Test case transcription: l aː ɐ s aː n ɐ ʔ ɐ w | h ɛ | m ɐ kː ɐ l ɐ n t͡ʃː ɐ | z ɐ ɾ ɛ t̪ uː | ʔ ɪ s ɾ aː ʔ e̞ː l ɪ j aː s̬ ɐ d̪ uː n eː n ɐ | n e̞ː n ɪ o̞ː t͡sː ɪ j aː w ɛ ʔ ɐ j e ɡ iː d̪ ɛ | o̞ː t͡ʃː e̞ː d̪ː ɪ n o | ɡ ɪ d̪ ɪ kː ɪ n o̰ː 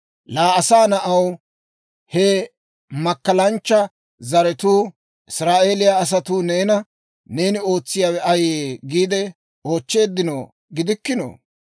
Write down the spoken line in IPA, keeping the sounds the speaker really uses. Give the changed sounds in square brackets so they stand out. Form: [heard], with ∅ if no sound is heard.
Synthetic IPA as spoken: l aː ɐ s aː n ɐ ʔ ɐ w | h ɛ | m ɐ kː ɐ l ɐ n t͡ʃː ɐ | z ɐ ɾ ɛ t̪ uː | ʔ ɪ s ɾ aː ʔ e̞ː l ɪ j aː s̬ ɐ [t̪] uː n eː n ɐ | n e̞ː n ɪ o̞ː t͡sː ɪ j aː w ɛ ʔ ɐ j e ɡ iː d̪ ɛ | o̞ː t͡ʃː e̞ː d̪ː ɪ n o | ɡ ɪ d̪ ɪ kː ɪ n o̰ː